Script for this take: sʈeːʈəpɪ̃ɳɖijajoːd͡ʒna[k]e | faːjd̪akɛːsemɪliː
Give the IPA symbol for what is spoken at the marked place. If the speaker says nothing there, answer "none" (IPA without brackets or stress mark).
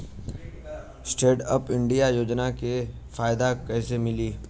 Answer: k